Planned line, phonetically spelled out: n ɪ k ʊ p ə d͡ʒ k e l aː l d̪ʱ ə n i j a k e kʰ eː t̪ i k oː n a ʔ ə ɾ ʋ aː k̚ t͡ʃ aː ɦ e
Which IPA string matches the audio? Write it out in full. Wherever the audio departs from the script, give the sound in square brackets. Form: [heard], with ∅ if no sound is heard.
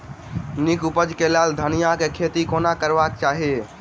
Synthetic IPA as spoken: n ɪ k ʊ p ə d͡ʒ k e l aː l d̪ʱ ə n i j a k e kʰ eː t̪ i k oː n a [k] ə ɾ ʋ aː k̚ t͡ʃ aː ɦ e